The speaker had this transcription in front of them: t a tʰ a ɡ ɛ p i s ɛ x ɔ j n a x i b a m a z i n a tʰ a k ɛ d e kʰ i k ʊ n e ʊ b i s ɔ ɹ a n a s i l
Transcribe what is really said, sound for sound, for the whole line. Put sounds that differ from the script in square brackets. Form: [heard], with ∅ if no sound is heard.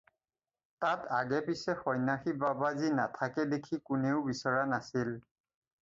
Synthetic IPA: t a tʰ a ɡ ɛ p i s ɛ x ɔ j n a x i b a [b] a z i n a tʰ a k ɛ d e kʰ i k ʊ n e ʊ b i s ɔ ɹ a n a s i l